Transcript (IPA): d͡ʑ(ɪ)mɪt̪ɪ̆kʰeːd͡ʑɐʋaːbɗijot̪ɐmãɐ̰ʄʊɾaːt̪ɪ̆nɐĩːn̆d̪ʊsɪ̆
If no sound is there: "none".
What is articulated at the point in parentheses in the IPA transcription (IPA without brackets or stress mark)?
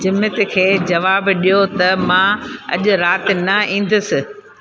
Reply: ɪ